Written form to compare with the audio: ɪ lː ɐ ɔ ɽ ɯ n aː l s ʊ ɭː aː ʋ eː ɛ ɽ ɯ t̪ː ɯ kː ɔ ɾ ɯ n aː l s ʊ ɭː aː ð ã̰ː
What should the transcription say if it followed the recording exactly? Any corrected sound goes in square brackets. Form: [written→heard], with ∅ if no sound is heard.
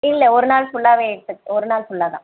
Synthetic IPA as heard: ɪ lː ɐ ɔ [ɽ→ɾ] ɯ n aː l s ʊ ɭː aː ʋ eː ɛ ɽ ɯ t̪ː ɯ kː ɔ ɾ ɯ n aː l s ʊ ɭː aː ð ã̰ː